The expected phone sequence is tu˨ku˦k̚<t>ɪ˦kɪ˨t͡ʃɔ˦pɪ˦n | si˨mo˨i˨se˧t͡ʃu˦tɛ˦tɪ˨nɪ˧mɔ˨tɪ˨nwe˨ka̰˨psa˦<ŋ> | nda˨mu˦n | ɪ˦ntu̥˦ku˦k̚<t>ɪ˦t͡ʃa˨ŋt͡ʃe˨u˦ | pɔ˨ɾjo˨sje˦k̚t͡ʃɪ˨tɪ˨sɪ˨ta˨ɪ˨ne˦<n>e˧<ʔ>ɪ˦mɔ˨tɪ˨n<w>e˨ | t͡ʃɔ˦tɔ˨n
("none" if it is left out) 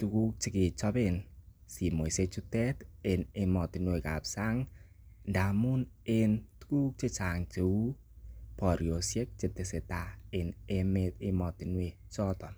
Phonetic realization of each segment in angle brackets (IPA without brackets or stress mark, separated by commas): t͡ʃ, ŋ, t͡ʃ, m, t, w